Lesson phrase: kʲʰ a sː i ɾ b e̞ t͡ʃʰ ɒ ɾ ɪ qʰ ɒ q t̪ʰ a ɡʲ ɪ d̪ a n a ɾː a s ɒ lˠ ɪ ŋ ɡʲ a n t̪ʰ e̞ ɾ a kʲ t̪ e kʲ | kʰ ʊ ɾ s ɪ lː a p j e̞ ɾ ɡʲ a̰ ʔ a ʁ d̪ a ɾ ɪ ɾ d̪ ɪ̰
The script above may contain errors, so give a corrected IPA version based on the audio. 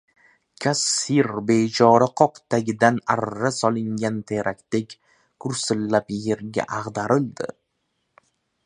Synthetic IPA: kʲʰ a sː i ɾ b e̞ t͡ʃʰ ɒ ɾ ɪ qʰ ɒ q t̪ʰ a ɡʲ ɪ d̪ a n a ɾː a s ɒ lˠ ɪ ŋ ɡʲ a n t̪ʰ e̞ ɾ a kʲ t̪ e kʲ | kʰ ʊ ɾ s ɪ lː a p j e̞ ɾ ɡʲ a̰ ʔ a ʁ d̪ a ɾ ɪ l d̪ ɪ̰